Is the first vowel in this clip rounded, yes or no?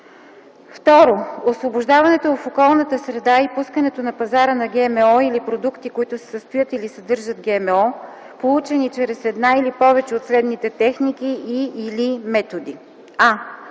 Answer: yes